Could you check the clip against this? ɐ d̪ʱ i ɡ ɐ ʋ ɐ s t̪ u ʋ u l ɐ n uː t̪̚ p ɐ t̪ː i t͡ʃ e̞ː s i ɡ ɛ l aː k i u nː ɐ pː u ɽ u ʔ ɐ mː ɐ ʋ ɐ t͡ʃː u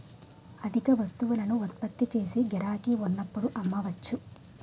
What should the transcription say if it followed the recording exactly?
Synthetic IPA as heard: ɐ d̪ʱ i k ɐ ʋ ɐ s t̪ u ʋ u l ɐ n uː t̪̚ p ɐ t̪ː i t͡ʃ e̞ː s i ɡ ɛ ɾ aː k i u nː ɐ pː u ɽ u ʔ ɐ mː ɐ ʋ ɐ t͡ʃː u